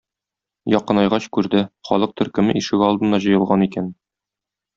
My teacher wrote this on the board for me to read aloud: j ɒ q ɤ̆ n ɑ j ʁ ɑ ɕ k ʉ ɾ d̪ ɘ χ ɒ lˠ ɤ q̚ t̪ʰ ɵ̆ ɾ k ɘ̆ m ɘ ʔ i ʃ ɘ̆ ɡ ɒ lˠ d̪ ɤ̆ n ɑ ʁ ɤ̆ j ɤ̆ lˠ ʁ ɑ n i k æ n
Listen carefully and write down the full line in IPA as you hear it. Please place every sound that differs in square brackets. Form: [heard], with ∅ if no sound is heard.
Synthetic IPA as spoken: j ɒ q ɤ̆ n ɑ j ʁ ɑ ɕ k ʉ ɾ d̪ ɘ χ ɒ lˠ ɤ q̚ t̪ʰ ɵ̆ ɾ k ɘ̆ m ɘ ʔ i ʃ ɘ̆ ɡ ɒ lˠ d̪ ɤ̆ n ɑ [ʑ] ɤ̆ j ɤ̆ lˠ ʁ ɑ n i k æ n